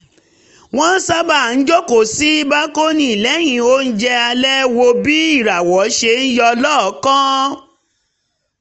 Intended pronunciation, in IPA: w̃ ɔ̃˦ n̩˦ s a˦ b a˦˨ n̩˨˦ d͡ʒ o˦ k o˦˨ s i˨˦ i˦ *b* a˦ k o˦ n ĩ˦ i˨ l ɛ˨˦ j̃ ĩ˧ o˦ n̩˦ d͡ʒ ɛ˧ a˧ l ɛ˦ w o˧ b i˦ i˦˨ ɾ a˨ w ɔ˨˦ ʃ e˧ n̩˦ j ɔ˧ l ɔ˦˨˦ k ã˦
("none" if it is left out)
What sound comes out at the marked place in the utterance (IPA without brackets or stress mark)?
b